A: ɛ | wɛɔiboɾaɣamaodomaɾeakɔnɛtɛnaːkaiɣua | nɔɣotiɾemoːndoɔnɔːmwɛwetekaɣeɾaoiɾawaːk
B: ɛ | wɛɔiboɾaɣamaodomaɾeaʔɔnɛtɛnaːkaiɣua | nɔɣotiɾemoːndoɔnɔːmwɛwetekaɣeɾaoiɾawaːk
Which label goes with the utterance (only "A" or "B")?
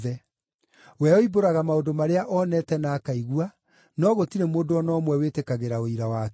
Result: B